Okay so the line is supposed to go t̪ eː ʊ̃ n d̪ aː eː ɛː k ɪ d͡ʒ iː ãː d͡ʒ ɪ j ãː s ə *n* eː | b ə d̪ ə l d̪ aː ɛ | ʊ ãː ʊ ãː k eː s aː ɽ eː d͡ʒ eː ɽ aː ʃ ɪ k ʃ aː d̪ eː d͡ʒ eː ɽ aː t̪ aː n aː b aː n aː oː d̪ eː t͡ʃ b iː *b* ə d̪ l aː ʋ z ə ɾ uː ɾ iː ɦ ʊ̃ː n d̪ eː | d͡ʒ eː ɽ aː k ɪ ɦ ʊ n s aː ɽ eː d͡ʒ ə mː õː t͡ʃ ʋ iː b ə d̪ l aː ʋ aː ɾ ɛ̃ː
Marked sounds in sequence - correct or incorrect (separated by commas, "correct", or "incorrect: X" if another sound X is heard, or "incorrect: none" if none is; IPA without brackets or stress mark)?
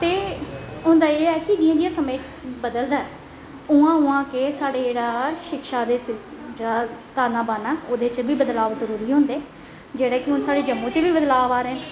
incorrect: m, correct